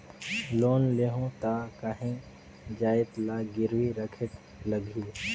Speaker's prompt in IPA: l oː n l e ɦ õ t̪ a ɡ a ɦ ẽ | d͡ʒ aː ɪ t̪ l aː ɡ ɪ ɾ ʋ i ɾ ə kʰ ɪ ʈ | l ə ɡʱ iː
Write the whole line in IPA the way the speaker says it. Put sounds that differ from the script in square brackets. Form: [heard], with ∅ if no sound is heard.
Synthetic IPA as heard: l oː n l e ɦ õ t̪ a [k] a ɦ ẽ | d͡ʒ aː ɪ t̪ l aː ɡ ɪ ɾ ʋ i ɾ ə kʰ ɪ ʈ | l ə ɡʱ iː